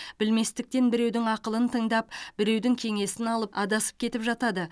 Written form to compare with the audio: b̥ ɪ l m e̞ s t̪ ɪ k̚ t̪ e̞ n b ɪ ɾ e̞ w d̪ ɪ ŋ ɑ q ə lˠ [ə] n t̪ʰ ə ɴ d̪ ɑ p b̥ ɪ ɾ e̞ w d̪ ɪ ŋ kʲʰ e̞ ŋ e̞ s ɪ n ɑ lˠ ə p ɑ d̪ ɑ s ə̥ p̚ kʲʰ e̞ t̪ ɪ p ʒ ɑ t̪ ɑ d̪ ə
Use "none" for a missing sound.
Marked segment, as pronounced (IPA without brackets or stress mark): ə